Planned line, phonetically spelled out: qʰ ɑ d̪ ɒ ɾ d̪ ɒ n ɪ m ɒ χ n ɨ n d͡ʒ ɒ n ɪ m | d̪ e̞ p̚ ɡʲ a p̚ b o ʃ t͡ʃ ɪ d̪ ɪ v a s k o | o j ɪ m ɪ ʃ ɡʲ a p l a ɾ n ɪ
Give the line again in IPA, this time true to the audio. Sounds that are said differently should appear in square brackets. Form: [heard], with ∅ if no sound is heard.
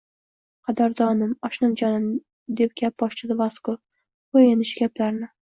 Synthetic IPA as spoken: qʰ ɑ d̪ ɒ ɾ d̪ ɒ n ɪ m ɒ [ʃ] n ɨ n d͡ʒ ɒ n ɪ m | d̪ e̞ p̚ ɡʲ a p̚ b [ɒ] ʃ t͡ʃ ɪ d̪ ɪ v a s k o | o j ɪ [n] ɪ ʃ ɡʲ a p l a ɾ n ɪ